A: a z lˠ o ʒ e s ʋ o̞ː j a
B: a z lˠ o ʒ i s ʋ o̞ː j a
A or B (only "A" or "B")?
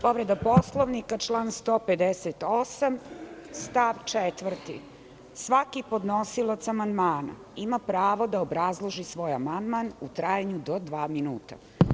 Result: B